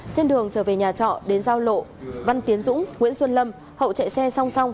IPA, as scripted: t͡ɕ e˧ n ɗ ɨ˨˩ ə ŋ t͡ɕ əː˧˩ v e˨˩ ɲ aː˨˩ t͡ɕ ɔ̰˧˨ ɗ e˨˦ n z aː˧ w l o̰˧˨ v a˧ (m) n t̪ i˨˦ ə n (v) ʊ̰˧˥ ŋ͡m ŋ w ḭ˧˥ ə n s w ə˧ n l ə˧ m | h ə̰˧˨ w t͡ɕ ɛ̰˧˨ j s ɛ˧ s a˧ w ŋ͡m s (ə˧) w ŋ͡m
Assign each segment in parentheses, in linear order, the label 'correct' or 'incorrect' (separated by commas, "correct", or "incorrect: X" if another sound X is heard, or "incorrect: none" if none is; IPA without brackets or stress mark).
incorrect: none, incorrect: z, incorrect: a˧